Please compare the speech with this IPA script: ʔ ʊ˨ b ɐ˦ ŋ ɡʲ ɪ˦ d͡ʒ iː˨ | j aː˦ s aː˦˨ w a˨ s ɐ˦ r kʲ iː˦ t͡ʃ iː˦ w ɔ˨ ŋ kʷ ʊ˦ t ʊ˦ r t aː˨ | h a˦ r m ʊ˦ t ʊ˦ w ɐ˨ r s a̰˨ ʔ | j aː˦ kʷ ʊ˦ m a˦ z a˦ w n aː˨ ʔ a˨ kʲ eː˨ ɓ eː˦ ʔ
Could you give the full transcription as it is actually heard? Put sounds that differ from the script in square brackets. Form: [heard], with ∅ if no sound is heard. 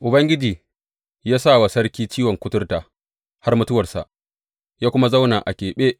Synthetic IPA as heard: ʔ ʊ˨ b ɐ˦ ŋ ɡʲ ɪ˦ d͡ʒ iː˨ | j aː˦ s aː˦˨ w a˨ s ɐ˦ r kʲ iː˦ t͡ʃ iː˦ w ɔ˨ ŋ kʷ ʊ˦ t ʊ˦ r t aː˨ | h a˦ r m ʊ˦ t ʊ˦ w ɐ˨ r s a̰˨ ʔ | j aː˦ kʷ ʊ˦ m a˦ z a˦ w n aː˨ ʔ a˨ kʲ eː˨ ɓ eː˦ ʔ